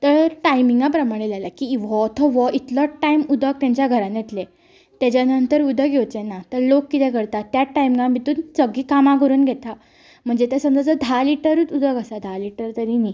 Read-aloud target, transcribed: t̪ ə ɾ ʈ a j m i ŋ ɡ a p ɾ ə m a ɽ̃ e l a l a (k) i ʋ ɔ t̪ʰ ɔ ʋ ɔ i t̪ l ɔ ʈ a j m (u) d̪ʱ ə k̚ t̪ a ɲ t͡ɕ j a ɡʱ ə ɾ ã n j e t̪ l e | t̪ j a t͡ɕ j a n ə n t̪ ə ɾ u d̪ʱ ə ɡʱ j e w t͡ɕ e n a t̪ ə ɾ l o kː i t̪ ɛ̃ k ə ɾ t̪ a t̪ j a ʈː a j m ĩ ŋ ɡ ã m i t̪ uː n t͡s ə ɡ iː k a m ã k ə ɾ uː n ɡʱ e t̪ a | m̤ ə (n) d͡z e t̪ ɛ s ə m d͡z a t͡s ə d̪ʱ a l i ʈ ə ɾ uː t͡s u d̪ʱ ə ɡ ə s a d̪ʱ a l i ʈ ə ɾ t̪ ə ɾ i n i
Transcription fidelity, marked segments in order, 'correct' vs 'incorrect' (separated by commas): correct, correct, incorrect